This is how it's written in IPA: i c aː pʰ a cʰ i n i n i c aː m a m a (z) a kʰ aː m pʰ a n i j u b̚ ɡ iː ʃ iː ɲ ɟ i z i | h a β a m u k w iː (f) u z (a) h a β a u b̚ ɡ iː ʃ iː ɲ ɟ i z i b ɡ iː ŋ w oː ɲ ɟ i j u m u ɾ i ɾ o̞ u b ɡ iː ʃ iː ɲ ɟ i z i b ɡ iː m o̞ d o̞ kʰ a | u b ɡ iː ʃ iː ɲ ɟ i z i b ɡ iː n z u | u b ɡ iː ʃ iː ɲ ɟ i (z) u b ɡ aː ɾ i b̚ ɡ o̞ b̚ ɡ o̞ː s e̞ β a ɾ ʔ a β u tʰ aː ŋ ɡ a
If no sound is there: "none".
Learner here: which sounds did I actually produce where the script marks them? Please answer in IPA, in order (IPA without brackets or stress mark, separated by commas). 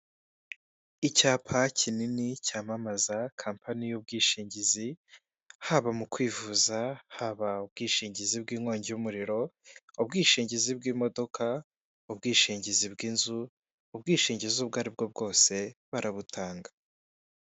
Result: z, v, a, z